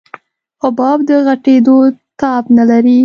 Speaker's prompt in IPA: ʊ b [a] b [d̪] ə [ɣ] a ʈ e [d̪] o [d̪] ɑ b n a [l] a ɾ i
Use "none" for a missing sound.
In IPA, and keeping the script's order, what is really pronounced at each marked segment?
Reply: ɑ, d̪, ɣ, d̪, t̪, l

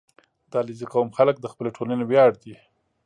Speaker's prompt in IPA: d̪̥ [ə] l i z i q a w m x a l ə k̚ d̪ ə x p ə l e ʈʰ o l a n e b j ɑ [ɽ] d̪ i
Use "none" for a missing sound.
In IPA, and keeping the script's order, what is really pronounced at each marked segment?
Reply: ɑ, ɽ

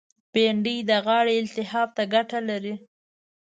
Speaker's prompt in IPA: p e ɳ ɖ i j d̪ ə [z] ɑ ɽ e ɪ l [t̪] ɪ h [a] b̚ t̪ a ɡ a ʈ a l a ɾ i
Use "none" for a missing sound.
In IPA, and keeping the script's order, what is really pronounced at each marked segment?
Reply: ɣ, t̪, ɑ

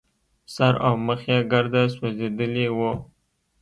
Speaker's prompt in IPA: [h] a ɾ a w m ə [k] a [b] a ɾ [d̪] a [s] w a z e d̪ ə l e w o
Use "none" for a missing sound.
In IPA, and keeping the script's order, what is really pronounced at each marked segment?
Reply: s, x, ɡ, d̪, s

